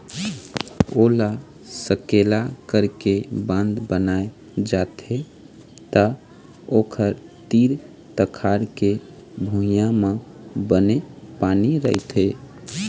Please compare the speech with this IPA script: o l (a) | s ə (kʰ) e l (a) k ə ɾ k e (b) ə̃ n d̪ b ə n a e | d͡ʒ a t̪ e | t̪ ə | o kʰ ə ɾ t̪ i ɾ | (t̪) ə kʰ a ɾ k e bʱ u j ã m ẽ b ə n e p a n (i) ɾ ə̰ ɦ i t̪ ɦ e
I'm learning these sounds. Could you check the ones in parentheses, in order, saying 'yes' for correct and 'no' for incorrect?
yes, no, yes, yes, yes, yes

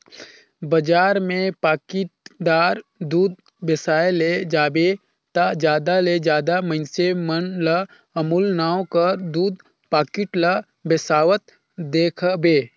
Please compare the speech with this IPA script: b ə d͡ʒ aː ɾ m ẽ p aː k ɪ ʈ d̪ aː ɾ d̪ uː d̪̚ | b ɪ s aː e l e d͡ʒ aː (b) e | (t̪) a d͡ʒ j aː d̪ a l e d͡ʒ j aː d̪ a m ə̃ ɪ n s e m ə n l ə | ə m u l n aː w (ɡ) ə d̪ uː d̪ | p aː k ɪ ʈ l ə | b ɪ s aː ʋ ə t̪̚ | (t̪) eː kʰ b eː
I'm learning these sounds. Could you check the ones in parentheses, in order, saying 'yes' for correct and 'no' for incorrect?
yes, yes, no, no

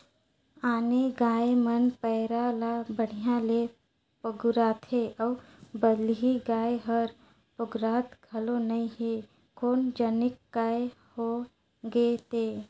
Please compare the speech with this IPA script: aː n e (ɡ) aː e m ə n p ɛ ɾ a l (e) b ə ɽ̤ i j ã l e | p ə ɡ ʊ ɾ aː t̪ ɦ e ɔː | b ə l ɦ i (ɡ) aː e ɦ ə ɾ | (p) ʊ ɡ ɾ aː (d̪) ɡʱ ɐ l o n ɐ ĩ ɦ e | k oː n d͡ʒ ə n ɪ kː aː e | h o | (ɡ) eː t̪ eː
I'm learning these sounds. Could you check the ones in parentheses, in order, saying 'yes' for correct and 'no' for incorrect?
yes, no, yes, yes, no, yes

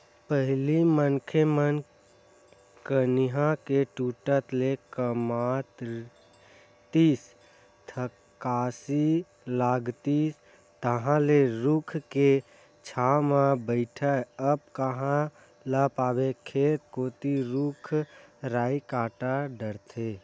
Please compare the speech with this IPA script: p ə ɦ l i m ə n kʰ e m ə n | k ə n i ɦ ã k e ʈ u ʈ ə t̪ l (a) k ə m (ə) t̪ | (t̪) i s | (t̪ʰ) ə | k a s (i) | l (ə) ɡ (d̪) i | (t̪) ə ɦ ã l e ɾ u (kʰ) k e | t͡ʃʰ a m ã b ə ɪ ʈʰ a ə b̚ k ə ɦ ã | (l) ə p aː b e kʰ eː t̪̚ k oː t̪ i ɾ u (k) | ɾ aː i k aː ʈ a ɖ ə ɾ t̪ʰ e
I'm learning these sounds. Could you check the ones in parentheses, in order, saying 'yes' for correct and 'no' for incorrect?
no, no, yes, yes, yes, no, no, yes, yes, yes, no

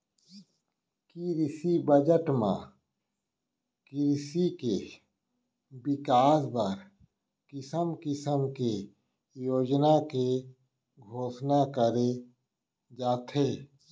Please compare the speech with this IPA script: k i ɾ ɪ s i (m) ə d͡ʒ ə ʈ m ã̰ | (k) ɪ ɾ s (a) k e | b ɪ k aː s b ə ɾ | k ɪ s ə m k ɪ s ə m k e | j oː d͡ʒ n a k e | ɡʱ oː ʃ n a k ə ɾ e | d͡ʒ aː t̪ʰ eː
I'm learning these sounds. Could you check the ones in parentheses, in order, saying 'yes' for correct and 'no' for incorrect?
no, yes, no

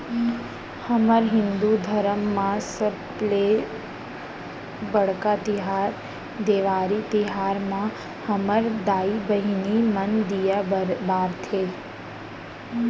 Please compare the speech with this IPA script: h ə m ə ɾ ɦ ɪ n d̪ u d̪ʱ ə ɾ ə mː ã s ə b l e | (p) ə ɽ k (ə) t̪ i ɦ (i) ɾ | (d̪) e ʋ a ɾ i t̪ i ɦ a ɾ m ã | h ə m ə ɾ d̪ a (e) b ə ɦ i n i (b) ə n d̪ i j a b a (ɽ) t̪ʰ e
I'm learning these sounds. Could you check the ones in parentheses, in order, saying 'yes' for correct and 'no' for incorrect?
no, no, no, yes, no, no, no

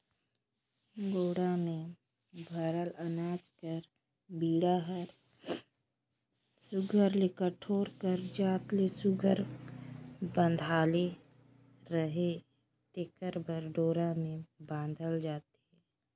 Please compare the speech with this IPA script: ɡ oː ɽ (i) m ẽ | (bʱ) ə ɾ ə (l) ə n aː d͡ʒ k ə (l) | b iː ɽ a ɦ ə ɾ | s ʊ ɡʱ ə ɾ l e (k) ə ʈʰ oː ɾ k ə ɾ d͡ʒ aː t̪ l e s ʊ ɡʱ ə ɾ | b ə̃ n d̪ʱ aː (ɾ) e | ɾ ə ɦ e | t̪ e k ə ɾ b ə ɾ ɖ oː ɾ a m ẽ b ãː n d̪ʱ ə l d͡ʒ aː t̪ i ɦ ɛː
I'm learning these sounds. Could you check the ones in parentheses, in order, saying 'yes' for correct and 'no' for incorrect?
no, yes, yes, no, yes, no

